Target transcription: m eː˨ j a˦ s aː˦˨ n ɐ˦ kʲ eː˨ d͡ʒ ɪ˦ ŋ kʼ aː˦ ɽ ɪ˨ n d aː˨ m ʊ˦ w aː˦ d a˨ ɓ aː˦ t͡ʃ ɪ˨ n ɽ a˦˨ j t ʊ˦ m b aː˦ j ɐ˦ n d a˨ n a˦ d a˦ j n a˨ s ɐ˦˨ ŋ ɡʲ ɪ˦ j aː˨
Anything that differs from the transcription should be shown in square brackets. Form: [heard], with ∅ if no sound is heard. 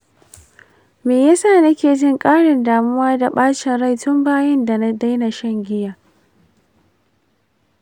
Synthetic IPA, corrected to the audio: m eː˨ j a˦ s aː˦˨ n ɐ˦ kʲ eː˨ d͡ʒ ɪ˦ ŋ kʼ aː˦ ɽ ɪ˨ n d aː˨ m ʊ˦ w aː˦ d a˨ ɓ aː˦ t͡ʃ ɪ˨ n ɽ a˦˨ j t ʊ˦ m b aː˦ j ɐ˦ n d a˨ n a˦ d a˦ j n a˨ [ʃ] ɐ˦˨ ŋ ɡʲ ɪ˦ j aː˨

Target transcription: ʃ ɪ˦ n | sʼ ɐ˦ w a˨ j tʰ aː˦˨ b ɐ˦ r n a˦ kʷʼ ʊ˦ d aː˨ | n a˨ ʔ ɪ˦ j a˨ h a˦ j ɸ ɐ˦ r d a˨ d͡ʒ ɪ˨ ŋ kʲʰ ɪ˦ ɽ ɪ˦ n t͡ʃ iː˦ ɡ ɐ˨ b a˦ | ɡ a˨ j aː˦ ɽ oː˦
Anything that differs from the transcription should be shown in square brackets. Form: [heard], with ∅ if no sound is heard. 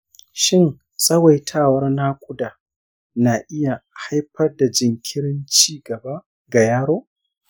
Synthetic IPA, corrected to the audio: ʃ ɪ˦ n | sʼ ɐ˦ w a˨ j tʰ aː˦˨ [w] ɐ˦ r n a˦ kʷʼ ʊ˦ d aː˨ | n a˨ ʔ ɪ˦ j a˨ h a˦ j ɸ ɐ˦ r d a˨ d͡ʒ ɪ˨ ŋ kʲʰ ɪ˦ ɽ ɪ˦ n t͡ʃ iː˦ ɡ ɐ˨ b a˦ | ɡ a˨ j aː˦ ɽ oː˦

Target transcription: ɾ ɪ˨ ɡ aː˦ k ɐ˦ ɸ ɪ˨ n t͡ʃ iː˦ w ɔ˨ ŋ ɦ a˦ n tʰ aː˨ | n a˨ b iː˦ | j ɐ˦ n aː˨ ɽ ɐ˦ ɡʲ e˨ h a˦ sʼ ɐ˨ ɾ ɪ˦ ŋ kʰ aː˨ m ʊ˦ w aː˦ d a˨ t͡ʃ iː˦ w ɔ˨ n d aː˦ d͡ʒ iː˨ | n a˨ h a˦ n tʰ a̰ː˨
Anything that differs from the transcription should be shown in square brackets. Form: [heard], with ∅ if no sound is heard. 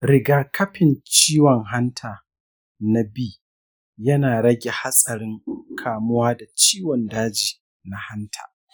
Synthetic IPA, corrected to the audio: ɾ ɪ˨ ɡ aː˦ k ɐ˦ ɸ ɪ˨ n t͡ʃ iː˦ w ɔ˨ ŋ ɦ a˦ n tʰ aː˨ | n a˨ b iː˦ | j ɐ˦ n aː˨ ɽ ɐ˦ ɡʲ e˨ h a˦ sʼ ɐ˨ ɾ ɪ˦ ŋ kʰ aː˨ m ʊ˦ w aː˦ d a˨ t͡ʃ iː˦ w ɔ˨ n d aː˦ d͡ʒ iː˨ | n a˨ h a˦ n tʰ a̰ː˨

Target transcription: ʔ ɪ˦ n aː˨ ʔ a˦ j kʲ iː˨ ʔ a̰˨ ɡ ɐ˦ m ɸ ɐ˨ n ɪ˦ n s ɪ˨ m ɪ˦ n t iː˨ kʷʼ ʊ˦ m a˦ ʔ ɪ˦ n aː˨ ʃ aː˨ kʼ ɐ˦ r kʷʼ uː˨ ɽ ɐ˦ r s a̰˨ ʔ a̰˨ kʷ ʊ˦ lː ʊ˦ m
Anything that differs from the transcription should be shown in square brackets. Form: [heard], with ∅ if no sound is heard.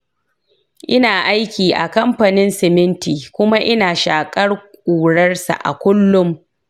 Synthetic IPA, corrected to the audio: ʔ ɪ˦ n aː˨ ʔ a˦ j kʲ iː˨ ʔ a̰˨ [k] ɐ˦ m ɸ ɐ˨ n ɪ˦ n s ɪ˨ m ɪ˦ n t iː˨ [kʷ] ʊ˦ m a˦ ʔ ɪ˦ n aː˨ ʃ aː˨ kʼ ɐ˦ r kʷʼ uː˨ ɽ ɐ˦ r s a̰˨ ʔ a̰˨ kʷ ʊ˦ lː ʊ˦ m

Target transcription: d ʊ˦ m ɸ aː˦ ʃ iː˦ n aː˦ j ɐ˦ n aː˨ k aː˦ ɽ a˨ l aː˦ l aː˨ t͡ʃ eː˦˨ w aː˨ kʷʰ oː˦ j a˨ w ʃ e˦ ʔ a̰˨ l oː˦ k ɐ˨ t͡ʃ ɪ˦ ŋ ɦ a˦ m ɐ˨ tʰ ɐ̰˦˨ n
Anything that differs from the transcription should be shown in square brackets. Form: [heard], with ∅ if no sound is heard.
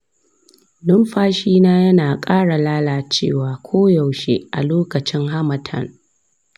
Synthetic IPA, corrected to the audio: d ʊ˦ m ɸ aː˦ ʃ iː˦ n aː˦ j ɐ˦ n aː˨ [kʼ] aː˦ ɽ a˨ l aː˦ l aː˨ t͡ʃ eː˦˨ w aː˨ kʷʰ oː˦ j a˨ w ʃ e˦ ʔ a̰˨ l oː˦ k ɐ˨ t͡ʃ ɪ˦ ŋ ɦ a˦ m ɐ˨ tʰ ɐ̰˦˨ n

